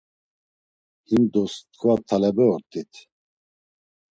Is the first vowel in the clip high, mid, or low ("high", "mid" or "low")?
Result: high